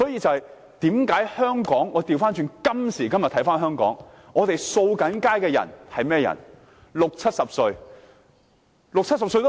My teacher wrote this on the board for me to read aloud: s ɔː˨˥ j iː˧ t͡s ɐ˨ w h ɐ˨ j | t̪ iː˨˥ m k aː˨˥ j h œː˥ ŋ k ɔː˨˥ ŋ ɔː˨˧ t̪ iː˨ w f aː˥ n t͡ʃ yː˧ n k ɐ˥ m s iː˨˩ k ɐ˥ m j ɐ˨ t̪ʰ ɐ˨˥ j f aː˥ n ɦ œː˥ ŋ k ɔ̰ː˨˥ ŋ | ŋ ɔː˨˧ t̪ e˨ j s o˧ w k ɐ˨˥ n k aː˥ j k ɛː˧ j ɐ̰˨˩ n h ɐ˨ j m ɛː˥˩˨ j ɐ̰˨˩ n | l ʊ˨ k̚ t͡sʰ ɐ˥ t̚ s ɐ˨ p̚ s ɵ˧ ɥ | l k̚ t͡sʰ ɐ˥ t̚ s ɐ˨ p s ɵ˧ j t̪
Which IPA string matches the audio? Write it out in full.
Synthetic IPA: s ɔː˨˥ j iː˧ t͡s ɐ˨ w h ɐ˨ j | t̪ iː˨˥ m k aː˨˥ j h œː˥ ŋ k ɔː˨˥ ŋ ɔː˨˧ t̪ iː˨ w f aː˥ n t͡ʃ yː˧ n k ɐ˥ m s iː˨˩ k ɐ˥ m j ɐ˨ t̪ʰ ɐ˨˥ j f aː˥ n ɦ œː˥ ŋ k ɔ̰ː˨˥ ŋ | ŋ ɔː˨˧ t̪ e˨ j s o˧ w k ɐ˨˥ n k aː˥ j k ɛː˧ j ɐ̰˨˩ n h ɐ˨ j m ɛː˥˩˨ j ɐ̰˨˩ n | l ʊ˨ k̚ t͡sʰ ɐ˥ t̚ s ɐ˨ p̚ s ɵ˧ ɥ | l k̚ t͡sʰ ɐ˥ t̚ s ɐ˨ p s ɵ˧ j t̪